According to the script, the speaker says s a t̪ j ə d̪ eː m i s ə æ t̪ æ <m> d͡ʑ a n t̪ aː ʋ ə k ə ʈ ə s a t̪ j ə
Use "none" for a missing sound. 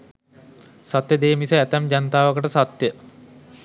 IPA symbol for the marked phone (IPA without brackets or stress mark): m